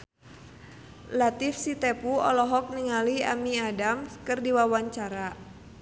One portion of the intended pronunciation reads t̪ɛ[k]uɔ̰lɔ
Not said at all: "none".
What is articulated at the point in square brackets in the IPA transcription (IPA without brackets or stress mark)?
p